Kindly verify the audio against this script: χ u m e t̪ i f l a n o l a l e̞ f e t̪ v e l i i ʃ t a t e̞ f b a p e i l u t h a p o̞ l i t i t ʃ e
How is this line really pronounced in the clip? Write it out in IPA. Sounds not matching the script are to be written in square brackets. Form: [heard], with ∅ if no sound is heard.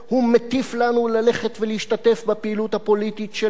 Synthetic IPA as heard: [h] u m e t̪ i f l a n [u] l a l e̞ [χ] e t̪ v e l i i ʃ t a t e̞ f b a p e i l u t h a p o̞ l i t i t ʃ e

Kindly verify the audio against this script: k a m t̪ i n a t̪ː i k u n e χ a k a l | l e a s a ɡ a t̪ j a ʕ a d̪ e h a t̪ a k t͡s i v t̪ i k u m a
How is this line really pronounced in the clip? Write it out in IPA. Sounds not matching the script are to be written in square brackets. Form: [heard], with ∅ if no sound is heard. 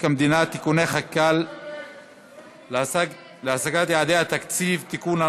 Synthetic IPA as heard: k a m [d̪] i n a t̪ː i k u n e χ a k a l | l e a s a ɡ a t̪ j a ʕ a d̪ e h a t̪ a k t͡s i v t̪ i k u [n] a

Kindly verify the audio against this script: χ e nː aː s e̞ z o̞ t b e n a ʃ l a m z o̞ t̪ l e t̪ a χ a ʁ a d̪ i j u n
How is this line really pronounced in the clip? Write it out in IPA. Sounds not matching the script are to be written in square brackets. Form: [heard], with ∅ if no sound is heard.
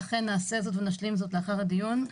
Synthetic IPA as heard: χ e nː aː s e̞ z o̞ t [v] e n a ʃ l [i] m z o̞ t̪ l e [∅] a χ a ʁ a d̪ i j u n

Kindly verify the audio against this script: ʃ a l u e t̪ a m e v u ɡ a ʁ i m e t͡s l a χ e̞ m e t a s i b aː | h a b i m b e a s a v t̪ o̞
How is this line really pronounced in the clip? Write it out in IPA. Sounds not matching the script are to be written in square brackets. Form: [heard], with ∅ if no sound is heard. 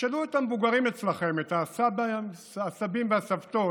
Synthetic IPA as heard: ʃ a l u e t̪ a m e v u ɡ a ʁ i m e t͡s l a χ e̞ m e t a s [a] b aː | [s] a b i m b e a s a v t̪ o̞

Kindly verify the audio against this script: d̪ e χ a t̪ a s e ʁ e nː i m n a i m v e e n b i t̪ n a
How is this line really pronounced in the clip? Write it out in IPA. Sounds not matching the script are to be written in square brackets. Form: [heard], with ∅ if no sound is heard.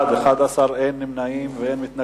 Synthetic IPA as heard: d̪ e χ a [d̪] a s [a] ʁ e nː i m n a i m v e e n [m] i t̪ n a

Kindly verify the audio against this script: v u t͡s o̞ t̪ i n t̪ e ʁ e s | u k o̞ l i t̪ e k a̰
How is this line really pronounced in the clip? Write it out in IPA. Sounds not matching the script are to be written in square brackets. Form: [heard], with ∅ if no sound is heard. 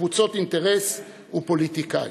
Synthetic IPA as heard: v u t͡s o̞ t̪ i n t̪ e ʁ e s | u [p] o̞ l i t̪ [i] k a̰

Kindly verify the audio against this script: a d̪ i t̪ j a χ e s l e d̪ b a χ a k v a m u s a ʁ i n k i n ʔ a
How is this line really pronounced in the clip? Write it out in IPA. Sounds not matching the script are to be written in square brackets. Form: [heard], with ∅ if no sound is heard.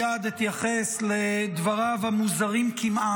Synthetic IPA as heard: a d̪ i t̪ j a χ e s l e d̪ [v] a [ʁ] a [∅] v a m u [z] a ʁ i [m] k i [m] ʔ a

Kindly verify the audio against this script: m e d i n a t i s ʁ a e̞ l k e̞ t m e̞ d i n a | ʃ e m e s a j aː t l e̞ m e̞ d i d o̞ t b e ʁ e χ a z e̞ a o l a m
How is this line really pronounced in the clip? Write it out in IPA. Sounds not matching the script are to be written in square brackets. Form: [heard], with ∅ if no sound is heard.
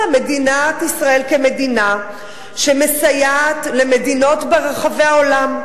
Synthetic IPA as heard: m e d i n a t i s ʁ a e̞ l k e̞ [∅] m e̞ d i n a | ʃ e m e s a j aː t l e̞ m e̞ d i [n] o̞ t b e ʁ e χ a [v] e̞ a o l a m

